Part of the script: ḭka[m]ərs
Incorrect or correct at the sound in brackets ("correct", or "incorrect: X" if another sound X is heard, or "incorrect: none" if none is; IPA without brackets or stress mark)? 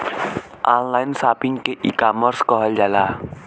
correct